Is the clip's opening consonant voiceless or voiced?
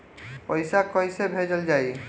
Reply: voiceless